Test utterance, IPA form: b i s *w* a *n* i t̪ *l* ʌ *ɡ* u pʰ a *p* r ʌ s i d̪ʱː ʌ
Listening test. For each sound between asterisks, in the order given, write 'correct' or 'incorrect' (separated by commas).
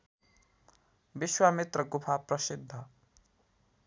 correct, incorrect, incorrect, correct, correct